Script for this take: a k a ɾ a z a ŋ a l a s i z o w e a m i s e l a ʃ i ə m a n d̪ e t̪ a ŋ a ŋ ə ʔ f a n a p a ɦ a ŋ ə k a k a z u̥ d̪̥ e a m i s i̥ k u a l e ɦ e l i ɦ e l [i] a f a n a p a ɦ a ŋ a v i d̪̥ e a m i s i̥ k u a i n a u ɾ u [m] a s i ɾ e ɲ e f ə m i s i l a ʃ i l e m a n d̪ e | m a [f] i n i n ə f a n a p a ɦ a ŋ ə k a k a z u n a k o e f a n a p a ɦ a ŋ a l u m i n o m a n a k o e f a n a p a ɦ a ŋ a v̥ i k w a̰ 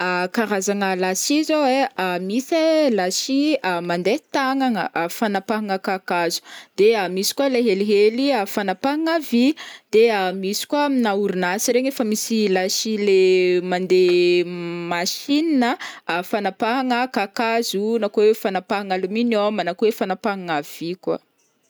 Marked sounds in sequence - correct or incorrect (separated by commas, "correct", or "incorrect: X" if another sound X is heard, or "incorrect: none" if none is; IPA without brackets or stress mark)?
correct, incorrect: n, incorrect: ʃ